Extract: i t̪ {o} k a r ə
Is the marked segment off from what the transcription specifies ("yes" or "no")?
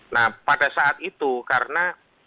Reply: yes